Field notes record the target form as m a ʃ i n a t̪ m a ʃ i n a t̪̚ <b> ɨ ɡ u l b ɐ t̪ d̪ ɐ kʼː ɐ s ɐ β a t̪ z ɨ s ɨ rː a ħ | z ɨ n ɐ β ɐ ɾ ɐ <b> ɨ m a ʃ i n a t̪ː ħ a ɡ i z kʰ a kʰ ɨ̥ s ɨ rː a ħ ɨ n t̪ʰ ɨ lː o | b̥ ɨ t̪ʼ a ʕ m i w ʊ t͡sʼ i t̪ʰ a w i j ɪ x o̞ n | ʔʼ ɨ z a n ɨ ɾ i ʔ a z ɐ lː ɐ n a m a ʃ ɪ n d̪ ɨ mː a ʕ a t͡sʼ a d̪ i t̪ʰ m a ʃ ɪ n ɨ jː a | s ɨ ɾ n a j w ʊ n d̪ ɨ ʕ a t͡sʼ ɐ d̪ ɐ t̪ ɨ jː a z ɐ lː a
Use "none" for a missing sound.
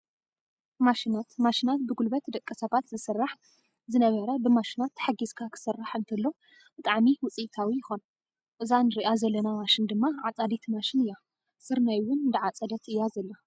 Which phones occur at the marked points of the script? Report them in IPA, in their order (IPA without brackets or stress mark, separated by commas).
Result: b, b